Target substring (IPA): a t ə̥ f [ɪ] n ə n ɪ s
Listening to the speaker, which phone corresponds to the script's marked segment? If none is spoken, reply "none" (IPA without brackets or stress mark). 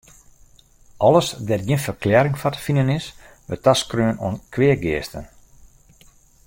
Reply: i